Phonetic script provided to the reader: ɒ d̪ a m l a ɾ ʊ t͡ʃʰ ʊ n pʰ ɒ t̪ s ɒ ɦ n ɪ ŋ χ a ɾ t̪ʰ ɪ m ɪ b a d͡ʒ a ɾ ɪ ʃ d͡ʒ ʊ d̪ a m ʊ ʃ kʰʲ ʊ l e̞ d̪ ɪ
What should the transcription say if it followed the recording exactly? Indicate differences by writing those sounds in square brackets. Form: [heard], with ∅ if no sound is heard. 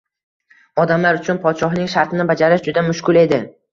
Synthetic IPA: ɒ d̪ a m l a ɾ ʊ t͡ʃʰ ʊ n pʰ ɒ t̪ [ʃ] ɒ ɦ n ɪ ŋ [ʃ] a ɾ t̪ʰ ɪ [n] ɪ b a d͡ʒ a ɾ ɪ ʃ d͡ʒ ʊ d̪ a m ʊ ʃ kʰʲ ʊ l e̞ d̪ ɪ